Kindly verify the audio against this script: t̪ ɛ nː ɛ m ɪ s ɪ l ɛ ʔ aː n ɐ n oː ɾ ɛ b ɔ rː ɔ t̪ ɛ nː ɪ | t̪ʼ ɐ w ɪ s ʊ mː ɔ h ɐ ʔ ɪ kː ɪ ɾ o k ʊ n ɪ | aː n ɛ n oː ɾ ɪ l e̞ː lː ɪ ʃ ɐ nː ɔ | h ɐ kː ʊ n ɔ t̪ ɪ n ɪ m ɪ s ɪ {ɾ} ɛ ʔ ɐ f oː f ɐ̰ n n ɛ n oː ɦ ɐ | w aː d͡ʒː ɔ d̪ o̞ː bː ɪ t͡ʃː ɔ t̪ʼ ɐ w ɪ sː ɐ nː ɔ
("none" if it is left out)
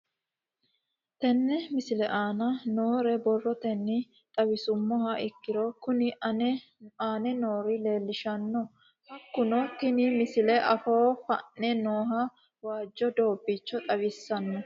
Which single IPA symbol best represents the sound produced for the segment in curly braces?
l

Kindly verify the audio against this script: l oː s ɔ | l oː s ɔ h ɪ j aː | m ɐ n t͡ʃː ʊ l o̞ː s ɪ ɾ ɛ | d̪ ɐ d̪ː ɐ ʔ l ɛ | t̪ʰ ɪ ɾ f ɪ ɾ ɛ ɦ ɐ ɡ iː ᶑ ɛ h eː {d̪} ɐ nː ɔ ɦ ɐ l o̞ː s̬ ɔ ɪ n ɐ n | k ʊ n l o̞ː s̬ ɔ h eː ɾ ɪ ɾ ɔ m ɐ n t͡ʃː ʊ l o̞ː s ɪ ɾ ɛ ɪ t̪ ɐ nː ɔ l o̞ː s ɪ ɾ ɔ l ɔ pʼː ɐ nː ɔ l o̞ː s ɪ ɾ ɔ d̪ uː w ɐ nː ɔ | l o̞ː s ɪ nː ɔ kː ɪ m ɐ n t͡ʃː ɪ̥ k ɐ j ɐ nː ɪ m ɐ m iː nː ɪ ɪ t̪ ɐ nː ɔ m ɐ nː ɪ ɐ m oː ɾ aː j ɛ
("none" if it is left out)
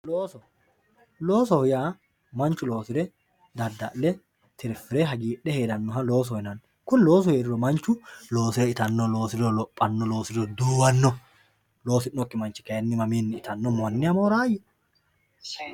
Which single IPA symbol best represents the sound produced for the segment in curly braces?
d̪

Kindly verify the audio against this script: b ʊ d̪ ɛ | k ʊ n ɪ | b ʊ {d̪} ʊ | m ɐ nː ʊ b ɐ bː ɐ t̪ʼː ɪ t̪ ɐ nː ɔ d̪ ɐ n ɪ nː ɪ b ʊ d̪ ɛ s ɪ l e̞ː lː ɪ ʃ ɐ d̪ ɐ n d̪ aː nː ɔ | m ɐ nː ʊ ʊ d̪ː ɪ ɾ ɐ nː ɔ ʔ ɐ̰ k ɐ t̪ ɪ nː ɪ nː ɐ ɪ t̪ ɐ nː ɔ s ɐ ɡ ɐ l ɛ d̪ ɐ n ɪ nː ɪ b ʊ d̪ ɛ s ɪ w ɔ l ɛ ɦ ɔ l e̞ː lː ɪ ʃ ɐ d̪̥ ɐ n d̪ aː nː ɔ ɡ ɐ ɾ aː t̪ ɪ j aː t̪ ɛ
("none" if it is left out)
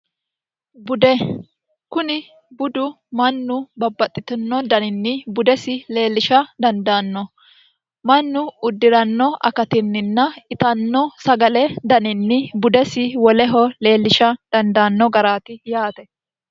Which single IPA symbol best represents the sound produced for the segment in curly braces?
d̪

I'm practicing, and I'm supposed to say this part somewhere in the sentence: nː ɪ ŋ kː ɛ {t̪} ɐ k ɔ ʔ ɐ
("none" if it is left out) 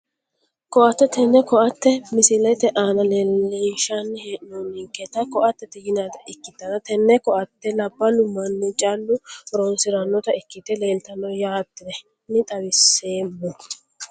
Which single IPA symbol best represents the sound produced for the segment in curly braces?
t̪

